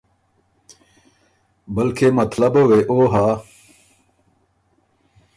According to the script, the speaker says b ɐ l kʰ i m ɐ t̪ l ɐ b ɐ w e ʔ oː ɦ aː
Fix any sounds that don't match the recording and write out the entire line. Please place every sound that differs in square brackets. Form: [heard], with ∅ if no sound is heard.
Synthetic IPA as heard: b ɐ l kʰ [e] m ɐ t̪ l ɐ b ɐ w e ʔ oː ɦ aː